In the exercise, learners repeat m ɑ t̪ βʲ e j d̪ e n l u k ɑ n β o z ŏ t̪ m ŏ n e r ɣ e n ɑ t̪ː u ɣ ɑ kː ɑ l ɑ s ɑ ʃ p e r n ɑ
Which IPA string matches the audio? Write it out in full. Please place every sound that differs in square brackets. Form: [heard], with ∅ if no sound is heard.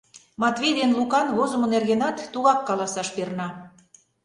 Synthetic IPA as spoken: m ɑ t̪ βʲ e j d̪ e n l u k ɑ n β o z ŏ [∅] m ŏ n e r ɣ e n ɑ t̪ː u ɣ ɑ kː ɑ l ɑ s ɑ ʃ p e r n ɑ